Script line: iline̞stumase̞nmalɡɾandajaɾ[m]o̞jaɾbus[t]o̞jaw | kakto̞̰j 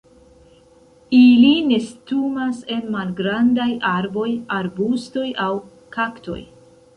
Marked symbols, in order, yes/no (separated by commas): no, yes